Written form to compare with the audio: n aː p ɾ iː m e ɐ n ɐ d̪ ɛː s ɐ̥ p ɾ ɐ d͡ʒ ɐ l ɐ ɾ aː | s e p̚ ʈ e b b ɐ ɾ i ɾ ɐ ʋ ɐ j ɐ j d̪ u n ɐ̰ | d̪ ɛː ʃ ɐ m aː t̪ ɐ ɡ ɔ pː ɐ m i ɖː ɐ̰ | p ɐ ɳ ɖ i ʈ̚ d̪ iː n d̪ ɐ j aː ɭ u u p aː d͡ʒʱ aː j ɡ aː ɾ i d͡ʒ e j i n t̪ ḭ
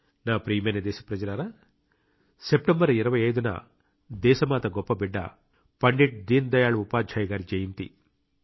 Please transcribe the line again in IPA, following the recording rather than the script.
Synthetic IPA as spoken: n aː p ɾ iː m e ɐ n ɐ d̪ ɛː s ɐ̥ p ɾ ɐ d͡ʒ ɐ l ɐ ɾ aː | s e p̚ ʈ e m b ɐ ɾ i ɾ ɐ ʋ ɐ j ɐ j d̪ u n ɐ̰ | d̪ ɛː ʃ ɐ m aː t̪ ɐ ɡ ɔ pː ɐ b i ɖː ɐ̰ | p ɐ ɳ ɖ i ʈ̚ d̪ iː n d̪ ɐ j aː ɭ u u p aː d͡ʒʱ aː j ɡ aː ɾ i d͡ʒ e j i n t̪ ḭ